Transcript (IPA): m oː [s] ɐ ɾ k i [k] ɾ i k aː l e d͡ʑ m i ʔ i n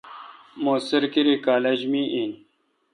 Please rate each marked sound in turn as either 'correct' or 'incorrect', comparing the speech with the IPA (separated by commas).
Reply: correct, incorrect